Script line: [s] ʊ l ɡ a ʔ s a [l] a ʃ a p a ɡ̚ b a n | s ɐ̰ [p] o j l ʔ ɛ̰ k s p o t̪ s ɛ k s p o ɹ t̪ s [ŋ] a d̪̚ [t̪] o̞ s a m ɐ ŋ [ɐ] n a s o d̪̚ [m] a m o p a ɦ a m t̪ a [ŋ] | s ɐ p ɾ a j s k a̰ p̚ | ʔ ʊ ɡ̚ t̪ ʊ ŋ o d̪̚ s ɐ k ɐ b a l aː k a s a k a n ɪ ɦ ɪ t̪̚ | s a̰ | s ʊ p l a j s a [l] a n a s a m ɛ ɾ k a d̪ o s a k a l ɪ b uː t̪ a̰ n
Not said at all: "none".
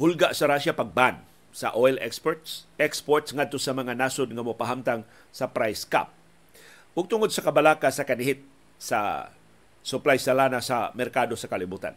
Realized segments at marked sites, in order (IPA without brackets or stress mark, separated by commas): h, ɾ, ʔ, ŋ, t̪, a, ŋ, ŋ, l